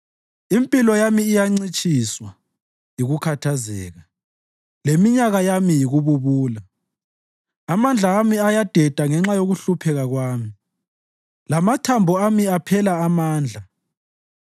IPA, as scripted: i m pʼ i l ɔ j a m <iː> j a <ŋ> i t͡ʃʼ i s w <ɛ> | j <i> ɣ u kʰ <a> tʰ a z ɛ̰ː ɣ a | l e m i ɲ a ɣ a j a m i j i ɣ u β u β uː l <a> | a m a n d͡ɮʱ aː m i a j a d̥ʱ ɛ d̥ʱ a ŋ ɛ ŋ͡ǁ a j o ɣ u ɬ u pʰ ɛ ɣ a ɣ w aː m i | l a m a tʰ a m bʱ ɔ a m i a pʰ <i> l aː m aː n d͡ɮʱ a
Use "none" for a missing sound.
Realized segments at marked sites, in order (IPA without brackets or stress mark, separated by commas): iː, ŋ͡ǀ, a, i, a, a, ɛ